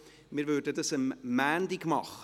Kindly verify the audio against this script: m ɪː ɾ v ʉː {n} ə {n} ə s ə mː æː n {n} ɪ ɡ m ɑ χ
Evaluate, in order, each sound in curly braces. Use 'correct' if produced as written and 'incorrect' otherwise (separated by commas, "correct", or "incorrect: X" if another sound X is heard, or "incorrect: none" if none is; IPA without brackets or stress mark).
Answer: incorrect: d, incorrect: d, incorrect: d